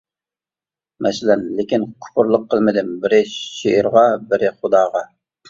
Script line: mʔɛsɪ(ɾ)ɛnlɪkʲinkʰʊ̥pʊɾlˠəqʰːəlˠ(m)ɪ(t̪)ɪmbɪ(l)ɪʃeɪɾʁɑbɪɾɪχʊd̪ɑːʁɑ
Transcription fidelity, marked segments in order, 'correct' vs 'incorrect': incorrect, correct, incorrect, incorrect

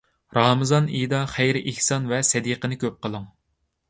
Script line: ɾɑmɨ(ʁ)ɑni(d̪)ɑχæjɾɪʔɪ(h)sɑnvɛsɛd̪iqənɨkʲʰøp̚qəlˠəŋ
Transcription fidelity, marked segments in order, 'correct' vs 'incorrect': incorrect, correct, correct

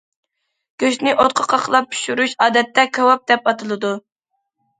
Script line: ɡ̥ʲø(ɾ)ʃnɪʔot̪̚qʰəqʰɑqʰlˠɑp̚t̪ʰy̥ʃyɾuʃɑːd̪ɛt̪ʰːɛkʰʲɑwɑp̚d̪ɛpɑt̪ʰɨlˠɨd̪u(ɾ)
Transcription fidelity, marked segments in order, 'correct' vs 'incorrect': incorrect, incorrect

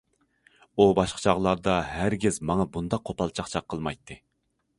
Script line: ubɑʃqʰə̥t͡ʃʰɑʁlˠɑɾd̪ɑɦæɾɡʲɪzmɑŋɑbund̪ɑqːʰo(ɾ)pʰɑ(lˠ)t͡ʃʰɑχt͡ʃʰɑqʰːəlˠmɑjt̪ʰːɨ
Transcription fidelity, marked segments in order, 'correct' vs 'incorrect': incorrect, correct

